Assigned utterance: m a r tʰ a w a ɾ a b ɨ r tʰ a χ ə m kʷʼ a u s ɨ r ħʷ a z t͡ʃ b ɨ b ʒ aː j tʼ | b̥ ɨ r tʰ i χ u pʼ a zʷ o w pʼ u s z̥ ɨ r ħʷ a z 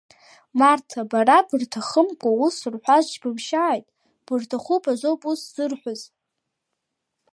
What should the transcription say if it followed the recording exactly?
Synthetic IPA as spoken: m a r tʰ a b a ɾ a b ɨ r tʰ a χ ə m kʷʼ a u s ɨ r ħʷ a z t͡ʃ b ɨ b ʃ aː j tʼ | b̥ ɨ r tʰ a χ u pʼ a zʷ o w pʼ u s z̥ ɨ r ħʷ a z